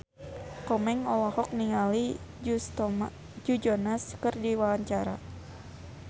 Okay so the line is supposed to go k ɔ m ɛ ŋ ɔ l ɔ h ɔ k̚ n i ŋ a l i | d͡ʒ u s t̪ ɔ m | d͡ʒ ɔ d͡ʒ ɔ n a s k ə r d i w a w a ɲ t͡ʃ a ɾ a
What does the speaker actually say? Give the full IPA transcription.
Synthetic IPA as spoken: k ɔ m ɛ ŋ ɔ l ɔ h ɔ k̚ n i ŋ a l i | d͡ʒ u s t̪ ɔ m | d͡ʒ u d͡ʒ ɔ n a s k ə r d i w a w a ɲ t͡ʃ a ɾ a